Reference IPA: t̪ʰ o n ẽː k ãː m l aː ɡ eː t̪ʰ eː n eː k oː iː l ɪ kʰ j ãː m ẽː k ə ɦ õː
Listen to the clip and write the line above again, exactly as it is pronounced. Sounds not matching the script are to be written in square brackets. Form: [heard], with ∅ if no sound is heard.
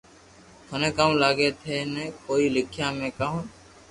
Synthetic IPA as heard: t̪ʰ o n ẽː k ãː m l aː ɡ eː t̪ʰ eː n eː k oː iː l ɪ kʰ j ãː m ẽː k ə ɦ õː